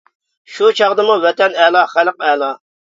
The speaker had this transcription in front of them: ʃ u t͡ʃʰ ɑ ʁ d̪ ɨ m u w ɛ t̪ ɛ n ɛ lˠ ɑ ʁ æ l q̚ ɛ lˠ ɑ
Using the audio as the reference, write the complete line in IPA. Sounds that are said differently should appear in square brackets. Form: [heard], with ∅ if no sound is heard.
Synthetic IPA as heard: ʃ u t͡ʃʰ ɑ ʁ d̪ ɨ m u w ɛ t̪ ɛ n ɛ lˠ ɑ [χ] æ l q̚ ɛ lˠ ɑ

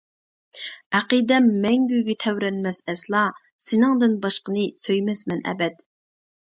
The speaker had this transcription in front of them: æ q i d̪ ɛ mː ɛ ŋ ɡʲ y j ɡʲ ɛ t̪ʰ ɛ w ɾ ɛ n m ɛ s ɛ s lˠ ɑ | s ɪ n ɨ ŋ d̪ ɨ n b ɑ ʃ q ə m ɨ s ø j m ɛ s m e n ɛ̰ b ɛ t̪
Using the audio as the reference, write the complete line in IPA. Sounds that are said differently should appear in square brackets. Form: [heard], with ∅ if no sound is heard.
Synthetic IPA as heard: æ q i d̪ ɛ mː ɛ ŋ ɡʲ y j ɡʲ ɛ t̪ʰ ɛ w ɾ ɛ n m ɛ s ɛ s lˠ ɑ | s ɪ n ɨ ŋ d̪ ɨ n b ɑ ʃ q ə [n] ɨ s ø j m ɛ s m [ɛ] n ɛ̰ b ɛ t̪

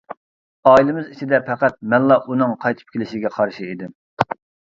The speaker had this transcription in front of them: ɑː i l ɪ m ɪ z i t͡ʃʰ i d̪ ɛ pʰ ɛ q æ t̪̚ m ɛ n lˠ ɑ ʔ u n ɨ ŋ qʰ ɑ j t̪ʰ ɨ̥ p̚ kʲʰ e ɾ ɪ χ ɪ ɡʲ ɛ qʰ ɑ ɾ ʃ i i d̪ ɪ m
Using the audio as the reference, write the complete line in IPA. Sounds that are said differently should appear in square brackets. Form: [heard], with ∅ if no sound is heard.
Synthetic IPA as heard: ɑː i l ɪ m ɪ z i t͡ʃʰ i d̪ ɛ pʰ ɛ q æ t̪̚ m ɛ n lˠ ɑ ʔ u n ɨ ŋ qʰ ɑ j t̪ʰ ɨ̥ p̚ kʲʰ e [l] ɪ [ʃ] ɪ ɡʲ ɛ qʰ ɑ ɾ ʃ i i d̪ ɪ m

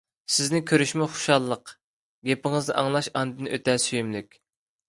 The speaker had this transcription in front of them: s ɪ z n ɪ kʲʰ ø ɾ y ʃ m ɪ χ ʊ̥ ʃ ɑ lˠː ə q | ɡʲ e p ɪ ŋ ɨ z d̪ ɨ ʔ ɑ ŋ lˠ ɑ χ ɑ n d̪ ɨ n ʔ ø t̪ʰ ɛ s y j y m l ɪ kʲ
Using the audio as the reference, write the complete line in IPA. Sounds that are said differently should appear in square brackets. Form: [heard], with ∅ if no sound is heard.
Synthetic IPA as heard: s ɪ z n ɪ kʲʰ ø ɾ y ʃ m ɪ χ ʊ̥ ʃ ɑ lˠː ə q | ɡʲ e p ɪ ŋ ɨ z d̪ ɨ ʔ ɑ ŋ lˠ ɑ [ʃ] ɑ n d̪ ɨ n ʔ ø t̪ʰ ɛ s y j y m l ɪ kʲ

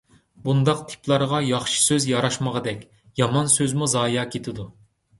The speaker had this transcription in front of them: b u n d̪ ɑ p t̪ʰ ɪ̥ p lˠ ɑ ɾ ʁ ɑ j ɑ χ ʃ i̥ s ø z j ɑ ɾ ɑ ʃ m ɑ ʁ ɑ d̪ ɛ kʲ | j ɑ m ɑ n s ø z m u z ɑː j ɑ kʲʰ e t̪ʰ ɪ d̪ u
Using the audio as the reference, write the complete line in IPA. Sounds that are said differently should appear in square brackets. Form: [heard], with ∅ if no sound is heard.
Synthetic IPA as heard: b u n d̪ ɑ [q] t̪ʰ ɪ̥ p lˠ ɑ ɾ ʁ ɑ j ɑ χ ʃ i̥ s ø z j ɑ ɾ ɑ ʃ m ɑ ʁ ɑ d̪ ɛ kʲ | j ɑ m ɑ n s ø z m u z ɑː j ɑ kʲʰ e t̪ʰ ɪ d̪ u

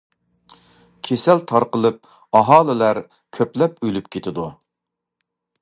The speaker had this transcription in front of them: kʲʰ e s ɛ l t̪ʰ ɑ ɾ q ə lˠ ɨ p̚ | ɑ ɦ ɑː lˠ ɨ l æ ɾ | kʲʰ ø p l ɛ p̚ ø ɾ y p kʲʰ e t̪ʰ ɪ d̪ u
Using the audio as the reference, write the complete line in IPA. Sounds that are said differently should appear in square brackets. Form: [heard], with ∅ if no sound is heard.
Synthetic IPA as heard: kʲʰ e s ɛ l t̪ʰ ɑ ɾ q ə lˠ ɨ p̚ | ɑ ɦ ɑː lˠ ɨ l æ ɾ | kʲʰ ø p l ɛ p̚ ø [l] y p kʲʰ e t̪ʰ ɪ d̪ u

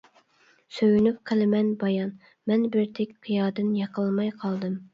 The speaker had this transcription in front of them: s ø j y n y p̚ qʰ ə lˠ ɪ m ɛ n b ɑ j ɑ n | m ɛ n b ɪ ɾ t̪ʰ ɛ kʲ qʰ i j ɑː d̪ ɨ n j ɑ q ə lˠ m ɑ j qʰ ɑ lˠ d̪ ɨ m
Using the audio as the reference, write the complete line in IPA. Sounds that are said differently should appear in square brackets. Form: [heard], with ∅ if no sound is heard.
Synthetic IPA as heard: s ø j y n y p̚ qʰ ə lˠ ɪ m ɛ n b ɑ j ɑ n | m ɛ n b ɪ ɾ t̪ʰ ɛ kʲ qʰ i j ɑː d̪ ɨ n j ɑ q ə lˠ m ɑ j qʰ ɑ lˠ d̪ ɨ m

